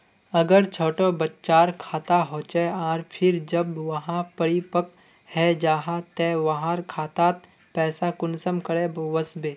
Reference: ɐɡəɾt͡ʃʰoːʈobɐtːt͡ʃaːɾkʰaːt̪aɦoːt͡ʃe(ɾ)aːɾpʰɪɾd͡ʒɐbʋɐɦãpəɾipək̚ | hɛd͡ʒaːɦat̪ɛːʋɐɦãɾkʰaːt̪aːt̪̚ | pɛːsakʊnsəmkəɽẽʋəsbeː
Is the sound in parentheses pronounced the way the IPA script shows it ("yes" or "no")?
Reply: no